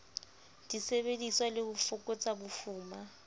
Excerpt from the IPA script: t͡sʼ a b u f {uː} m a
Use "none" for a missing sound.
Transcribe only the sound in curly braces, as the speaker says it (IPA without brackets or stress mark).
uː